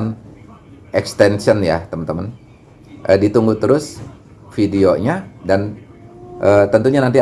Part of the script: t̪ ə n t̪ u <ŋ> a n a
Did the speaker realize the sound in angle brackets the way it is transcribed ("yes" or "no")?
no